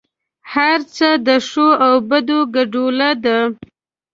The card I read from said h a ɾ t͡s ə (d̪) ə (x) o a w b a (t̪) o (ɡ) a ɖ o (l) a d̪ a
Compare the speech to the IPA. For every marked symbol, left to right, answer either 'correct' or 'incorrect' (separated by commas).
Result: correct, incorrect, incorrect, correct, correct